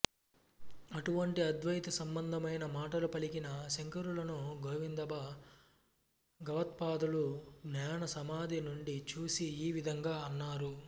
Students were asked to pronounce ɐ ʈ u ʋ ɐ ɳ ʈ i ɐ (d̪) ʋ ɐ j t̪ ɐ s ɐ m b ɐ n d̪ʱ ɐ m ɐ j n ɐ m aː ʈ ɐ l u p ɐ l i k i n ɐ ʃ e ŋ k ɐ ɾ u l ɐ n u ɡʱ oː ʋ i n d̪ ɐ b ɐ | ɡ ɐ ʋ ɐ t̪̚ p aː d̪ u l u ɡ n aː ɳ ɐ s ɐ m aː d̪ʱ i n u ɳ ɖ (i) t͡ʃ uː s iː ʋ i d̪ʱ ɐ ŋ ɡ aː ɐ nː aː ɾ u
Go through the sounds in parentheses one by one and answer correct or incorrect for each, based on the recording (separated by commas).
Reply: correct, correct